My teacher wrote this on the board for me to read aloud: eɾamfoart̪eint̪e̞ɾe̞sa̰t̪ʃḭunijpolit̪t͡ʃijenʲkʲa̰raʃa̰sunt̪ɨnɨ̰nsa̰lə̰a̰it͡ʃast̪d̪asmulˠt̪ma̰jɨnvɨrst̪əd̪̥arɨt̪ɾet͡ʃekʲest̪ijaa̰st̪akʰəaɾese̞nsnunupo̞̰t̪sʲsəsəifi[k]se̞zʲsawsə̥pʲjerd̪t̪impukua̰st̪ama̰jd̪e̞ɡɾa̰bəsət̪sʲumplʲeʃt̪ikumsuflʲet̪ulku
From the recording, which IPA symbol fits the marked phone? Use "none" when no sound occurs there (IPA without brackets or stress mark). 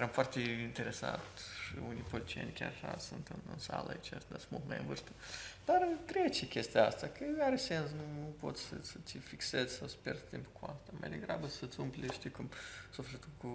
k